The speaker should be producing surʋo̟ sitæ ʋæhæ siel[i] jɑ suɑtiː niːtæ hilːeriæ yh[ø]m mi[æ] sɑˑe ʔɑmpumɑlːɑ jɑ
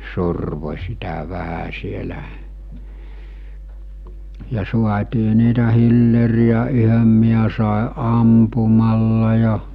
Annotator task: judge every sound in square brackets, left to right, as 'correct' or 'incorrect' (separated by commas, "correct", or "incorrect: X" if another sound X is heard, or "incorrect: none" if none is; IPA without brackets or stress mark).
incorrect: æ, correct, correct